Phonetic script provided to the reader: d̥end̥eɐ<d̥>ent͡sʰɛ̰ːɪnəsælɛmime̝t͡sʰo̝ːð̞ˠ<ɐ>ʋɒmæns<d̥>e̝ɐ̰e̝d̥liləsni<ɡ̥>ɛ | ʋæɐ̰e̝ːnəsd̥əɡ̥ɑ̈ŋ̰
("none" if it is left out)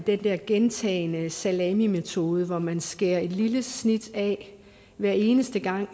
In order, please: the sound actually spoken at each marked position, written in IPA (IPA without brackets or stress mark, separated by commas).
ɡ̥, ə, ɡ̥, d̥